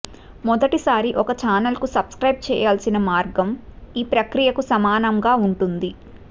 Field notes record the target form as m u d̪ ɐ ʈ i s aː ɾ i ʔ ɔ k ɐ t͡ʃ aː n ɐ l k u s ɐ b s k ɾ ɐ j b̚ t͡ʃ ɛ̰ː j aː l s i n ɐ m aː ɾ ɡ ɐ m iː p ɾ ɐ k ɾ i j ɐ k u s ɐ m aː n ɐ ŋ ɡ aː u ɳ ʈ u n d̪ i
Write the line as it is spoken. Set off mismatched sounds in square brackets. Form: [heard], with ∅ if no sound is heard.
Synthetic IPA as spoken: m [ɔ] d̪ ɐ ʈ i s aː ɾ i ʔ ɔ k ɐ t͡ʃ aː n ɐ l k u s ɐ b s k ɾ ɐ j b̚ t͡ʃ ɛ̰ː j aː l s i n ɐ m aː ɾ ɡ ɐ m iː p ɾ ɐ k ɾ i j ɐ k u s ɐ m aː n ɐ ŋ ɡ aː u ɳ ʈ u n d̪ i